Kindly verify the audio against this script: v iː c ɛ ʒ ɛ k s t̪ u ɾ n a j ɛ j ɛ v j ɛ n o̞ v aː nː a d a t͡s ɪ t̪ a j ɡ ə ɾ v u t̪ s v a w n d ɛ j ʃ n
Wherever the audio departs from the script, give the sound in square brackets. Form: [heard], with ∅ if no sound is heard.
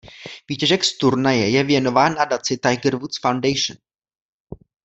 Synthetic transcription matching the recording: v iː c ɛ ʒ ɛ k s t̪ u ɾ n a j ɛ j ɛ v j ɛ n o̞ v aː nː a d a t͡s ɪ t̪ a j ɡ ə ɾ v u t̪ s [f] a w n d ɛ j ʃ n